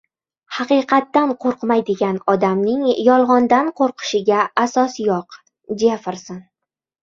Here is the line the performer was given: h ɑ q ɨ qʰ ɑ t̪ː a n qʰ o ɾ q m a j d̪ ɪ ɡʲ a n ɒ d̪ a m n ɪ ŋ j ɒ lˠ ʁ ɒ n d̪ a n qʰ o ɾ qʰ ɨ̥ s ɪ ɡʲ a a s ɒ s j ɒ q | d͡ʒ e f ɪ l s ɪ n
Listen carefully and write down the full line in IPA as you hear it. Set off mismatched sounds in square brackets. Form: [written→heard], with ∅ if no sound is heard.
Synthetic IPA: h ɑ q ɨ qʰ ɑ t̪ː a n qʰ o ɾ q m a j d̪ ɪ ɡʲ a n ɒ d̪ a m n ɪ ŋ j ɒ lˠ ʁ ɒ n d̪ a n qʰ o ɾ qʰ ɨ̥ [s→ʃ] ɪ ɡʲ a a s ɒ s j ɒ q | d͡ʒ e f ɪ [l→ɾ] s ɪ n